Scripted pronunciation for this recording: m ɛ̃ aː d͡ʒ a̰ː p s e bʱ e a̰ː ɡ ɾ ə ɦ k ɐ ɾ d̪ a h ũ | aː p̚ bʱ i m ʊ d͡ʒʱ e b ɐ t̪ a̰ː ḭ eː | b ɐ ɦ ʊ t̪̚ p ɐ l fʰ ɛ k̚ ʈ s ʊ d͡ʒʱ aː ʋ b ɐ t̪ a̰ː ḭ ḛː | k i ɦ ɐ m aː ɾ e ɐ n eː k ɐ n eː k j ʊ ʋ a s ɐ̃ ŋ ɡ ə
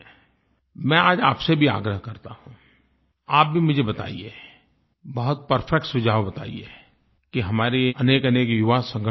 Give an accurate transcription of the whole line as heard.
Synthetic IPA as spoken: m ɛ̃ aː d͡ʒ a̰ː p s e bʱ i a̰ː ɡ ɾ ə ɦ k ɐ ɾ t̪ a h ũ | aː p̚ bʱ i m ʊ d͡ʒʱ e b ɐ t̪ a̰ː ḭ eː | b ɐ ɦ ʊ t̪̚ p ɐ ɾ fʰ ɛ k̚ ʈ s ʊ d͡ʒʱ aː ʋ b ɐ t̪ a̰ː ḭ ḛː | k i ɦ ɐ m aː ɾ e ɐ n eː k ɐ n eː k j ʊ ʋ a s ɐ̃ ŋ ɡ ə